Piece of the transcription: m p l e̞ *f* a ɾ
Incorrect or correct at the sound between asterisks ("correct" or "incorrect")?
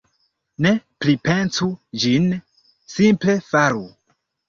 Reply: correct